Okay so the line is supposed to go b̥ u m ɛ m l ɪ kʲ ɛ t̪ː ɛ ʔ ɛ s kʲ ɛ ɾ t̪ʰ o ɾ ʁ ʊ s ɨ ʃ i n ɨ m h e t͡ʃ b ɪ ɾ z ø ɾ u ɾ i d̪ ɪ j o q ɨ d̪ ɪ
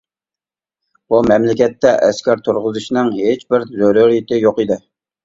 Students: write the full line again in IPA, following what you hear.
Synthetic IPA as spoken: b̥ u m ɛ m l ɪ kʲ ɛ t̪ː ɛ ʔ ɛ s kʲ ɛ ɾ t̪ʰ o ɾ ʁ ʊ z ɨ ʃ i n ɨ ŋ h e t͡ʃ b ɪ ɾ z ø ɾ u ɾ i t̪ ɪ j o q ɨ d̪ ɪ